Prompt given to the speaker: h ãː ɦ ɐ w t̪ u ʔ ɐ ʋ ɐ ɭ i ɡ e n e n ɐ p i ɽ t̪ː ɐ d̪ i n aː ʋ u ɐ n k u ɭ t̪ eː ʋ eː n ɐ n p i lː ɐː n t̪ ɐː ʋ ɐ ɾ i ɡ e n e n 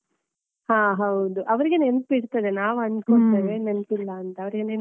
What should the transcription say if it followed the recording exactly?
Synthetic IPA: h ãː ɦ ɐ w d̪ u ʔ ɐ ʋ ɐ ɾ i ɡ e n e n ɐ p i ɽ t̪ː ɐ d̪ e n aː ʋ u ɐ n k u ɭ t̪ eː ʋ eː n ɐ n p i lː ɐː n t̪ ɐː ʋ ɐ ɾ i ɡ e n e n

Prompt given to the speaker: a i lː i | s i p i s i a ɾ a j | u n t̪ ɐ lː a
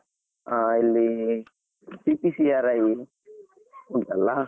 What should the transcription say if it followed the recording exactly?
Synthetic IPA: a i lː i | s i p i s i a ɾ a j | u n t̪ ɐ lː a

